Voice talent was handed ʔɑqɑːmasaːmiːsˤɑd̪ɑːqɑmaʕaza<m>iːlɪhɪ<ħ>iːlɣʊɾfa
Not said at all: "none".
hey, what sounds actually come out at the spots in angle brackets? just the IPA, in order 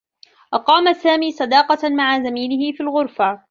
m, f

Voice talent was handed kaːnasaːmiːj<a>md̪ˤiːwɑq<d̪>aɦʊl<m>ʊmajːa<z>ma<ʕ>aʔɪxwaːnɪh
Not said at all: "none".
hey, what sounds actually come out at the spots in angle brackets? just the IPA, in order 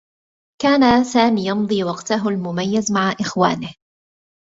ɑ, t̪, m, z, ʕ

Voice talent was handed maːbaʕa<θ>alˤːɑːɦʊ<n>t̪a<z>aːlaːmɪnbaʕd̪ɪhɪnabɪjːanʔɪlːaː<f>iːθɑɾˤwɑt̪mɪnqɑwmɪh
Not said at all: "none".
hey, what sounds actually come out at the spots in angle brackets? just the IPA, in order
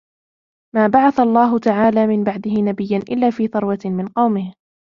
θ, none, ʕ, f

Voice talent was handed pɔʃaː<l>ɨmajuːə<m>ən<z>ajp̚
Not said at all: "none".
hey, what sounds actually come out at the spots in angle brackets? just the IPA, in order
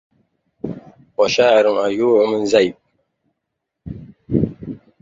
ɾ, m, z

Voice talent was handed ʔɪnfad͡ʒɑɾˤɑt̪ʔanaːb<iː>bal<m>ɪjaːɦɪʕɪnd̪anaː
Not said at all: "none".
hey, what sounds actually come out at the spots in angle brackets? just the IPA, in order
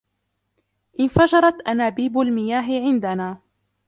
iː, m

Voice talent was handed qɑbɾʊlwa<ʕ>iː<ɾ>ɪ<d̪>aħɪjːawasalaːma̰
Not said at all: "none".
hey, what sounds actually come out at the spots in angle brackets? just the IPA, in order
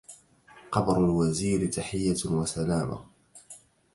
z, ɾ, t̪

